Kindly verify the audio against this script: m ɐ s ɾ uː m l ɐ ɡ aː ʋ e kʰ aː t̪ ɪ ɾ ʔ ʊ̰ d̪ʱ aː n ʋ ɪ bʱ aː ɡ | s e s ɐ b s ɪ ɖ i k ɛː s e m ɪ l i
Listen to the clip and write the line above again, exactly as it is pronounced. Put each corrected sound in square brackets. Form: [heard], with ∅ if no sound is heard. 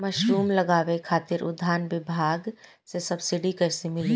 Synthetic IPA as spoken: m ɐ [ʃ] ɾ uː m l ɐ ɡ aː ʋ e kʰ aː t̪ ɪ ɾ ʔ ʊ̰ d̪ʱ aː n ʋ ɪ bʱ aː ɡ | s e s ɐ b s ɪ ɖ i k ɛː s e m ɪ l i